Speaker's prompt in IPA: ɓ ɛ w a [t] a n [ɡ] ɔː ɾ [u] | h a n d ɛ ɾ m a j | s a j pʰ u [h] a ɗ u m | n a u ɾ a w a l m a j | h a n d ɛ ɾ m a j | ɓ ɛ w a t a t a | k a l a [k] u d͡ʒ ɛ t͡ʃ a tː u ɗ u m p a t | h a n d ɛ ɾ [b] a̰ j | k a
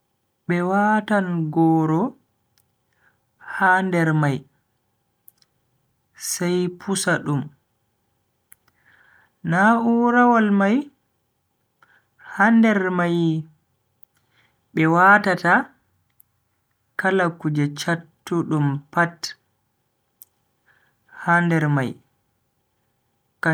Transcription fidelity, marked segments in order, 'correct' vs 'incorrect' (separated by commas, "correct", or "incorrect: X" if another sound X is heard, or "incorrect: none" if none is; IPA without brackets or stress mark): correct, correct, incorrect: ɔ, incorrect: s, correct, incorrect: m